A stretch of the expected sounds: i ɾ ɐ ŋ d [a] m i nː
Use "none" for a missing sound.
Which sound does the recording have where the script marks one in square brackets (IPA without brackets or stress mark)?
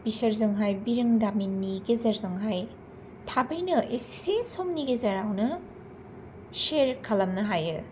a